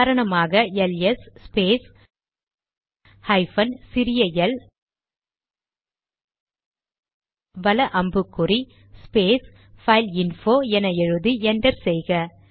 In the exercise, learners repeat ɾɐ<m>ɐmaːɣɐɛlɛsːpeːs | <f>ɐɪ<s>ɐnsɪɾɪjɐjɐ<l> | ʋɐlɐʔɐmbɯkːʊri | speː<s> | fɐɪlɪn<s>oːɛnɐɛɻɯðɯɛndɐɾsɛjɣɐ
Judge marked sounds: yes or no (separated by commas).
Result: no, no, no, yes, yes, no